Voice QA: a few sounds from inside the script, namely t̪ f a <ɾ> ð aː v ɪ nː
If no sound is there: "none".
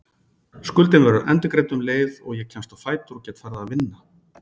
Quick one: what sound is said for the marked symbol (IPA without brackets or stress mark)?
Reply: ɾ